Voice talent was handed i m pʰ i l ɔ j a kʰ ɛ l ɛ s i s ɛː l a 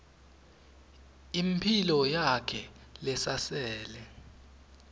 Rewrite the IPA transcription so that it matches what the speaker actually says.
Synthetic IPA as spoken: i m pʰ i l ɔ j a kʰ ɛ l ɛ s a s ɛː l ɛ